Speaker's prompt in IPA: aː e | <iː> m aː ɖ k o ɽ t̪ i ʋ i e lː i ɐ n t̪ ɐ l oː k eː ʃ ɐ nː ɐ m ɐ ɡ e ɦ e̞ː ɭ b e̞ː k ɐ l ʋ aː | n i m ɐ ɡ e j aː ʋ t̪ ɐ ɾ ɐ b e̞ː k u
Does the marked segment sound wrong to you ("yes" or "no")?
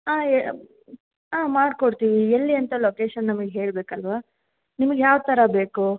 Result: yes